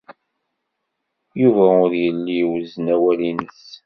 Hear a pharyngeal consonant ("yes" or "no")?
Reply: no